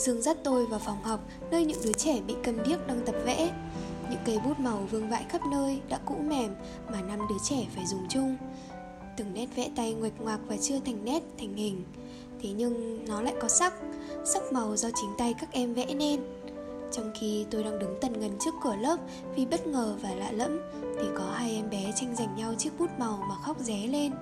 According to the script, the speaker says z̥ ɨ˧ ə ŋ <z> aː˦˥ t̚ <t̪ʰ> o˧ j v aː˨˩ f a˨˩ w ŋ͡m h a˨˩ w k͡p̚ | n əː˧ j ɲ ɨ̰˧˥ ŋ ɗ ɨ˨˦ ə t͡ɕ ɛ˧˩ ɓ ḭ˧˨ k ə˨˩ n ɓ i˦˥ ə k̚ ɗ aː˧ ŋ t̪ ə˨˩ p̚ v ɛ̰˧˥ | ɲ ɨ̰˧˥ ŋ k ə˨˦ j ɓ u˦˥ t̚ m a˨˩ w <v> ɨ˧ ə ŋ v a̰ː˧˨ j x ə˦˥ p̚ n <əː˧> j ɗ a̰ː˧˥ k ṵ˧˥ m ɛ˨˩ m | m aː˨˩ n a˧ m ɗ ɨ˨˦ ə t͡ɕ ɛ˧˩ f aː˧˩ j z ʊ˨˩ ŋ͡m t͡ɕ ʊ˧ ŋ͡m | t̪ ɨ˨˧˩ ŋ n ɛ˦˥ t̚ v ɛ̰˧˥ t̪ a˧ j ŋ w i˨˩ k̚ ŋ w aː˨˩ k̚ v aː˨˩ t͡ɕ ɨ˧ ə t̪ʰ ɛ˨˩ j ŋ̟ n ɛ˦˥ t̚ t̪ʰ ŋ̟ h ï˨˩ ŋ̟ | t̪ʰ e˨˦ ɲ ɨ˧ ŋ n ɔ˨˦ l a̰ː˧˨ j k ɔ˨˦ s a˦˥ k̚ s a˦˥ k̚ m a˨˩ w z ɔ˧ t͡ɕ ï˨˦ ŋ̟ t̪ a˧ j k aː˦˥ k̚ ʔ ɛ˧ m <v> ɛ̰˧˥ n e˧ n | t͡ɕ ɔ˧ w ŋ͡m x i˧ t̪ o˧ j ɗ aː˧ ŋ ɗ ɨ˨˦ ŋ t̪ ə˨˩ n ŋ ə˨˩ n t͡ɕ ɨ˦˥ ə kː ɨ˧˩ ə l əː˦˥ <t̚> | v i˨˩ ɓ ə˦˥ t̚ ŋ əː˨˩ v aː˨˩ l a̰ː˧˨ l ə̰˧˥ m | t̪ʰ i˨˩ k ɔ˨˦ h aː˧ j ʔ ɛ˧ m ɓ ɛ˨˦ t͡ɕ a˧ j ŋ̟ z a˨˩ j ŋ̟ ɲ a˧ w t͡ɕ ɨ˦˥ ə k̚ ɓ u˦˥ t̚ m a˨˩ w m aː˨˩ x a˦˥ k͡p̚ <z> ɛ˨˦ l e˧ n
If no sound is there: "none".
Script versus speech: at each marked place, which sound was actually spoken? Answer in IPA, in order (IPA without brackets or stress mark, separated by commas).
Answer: z, t̪, v, əː˧, v, p̚, z